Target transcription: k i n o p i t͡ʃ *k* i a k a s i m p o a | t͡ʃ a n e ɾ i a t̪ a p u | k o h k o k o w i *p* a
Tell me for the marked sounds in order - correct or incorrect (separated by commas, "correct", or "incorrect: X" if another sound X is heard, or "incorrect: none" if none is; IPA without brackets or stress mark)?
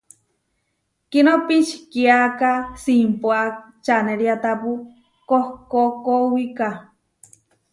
correct, incorrect: k